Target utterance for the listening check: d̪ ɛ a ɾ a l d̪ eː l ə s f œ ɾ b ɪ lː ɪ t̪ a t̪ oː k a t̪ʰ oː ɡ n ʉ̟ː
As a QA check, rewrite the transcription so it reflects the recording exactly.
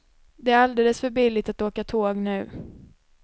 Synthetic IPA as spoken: d̪ ɛ æ ɾ a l d̪ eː l ə s f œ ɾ b ɪ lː ɪ t̪ a t̪ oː k a t̪ʰ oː ɡ n ʉ̟ː

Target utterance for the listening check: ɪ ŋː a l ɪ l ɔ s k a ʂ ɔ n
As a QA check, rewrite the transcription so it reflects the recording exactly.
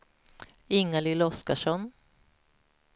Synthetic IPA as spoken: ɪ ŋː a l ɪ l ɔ s k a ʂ ɔ n

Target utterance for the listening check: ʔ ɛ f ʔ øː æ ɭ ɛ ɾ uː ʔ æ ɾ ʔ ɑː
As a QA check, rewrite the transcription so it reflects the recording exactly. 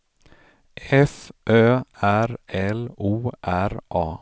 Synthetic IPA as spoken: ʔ ɛ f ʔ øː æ ɾ ɛ l uː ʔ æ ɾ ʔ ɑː

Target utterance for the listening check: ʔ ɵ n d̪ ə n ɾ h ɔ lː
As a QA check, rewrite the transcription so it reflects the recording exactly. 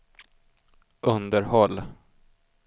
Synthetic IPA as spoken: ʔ ɵ n d̪ ə ɾ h ɔ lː

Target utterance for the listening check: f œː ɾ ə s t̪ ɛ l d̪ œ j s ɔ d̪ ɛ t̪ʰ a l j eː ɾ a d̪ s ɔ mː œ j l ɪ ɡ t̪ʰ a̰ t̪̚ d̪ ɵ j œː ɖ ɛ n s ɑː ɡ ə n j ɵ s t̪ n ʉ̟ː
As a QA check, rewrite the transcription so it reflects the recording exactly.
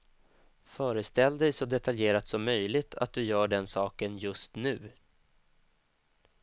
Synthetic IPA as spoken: f œː ɾ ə s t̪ ɛ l d̪ ɛ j s ɔ d̪ ɛ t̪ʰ a l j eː ɾ a t̪ s ɔ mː œ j l ɪ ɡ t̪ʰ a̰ t̪̚ d̪ ɵ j œː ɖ ɛ n s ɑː k ə n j ɵ s t̪ n ʉ̟ː

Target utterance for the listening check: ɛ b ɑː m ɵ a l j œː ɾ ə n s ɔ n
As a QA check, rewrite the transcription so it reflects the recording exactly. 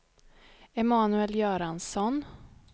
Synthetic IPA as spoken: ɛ m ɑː n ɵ ɛ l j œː ɾ a n s ɔ n

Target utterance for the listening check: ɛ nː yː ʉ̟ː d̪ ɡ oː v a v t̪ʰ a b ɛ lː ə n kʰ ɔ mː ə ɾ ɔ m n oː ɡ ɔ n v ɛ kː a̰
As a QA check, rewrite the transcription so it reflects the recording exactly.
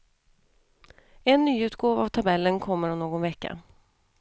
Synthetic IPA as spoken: ɛ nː yː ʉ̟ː t̪ ɡ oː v a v t̪ʰ a b ɛ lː ə n kʰ ɔ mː ə ɾ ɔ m n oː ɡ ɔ n v ɛ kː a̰

